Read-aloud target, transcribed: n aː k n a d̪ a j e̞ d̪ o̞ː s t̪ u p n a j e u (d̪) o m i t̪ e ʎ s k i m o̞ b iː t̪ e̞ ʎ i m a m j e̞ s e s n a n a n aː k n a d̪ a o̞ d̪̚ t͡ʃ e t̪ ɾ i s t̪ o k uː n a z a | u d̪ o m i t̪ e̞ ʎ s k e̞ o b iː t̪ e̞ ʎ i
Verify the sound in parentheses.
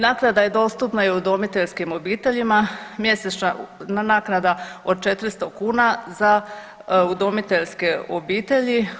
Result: correct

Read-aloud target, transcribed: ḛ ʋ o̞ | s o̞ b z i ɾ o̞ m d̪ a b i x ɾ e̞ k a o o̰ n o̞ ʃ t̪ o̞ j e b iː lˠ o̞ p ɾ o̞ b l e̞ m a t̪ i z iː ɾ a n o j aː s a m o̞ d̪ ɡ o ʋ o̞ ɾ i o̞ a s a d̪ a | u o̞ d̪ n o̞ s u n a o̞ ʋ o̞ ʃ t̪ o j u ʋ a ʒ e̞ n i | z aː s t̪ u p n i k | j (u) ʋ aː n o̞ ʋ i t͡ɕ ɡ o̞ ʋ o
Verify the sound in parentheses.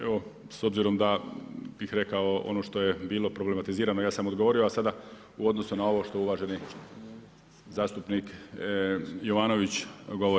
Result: incorrect: o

